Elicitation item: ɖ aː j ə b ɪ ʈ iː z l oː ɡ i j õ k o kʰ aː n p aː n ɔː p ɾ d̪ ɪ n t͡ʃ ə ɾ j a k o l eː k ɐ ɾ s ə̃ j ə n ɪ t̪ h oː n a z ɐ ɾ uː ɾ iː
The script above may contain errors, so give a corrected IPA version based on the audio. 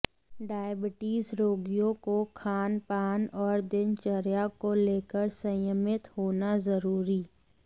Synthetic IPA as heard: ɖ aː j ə b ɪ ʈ iː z ɾ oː ɡ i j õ k o kʰ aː n p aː n ɔː ɾ d̪ ɪ n t͡ʃ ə ɾ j a k o l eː k ə ɾ s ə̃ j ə m ɪ t̪ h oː n a z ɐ ɾ uː ɾ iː